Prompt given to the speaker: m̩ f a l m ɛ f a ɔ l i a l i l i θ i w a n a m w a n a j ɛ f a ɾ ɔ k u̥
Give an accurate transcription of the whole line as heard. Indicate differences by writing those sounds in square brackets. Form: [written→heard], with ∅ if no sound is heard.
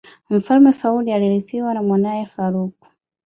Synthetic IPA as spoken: m̩ f a l m ɛ f a [ɔ→u] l i a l i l i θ i w a n a m w a n a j ɛ f a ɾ [ɔ→u] k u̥